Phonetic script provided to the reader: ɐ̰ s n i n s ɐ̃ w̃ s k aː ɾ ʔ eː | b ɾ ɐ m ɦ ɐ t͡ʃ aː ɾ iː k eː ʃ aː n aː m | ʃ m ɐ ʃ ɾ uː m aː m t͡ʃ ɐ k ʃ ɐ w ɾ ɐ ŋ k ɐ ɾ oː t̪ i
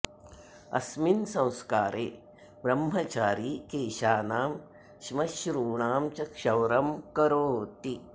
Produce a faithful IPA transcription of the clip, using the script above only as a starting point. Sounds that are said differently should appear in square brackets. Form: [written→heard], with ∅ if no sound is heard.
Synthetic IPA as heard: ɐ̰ s [n→m] i n s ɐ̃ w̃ s k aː ɾ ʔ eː | b ɾ ɐ m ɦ ɐ t͡ʃ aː ɾ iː k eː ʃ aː n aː m | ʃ m ɐ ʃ ɾ uː [m→ɳ] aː m t͡ʃ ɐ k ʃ ɐ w ɾ ɐ [ŋ→m] k ɐ ɾ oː t̪ i